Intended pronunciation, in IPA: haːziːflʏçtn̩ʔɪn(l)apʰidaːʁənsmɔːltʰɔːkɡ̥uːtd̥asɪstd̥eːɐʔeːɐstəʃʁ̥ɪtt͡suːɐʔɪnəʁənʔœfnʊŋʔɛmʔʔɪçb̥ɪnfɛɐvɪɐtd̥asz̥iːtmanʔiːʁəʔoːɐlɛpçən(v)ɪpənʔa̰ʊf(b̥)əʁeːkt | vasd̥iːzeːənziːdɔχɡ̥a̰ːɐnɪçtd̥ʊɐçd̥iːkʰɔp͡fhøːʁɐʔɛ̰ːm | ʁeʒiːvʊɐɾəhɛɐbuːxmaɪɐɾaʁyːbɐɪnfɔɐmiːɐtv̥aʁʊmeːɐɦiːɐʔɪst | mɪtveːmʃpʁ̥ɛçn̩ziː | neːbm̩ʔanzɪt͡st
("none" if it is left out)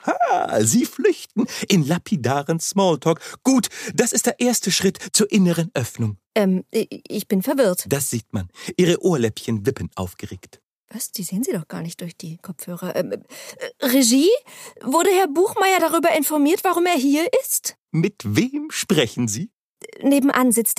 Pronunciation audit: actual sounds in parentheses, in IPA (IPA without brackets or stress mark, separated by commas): l, v, ɡ̥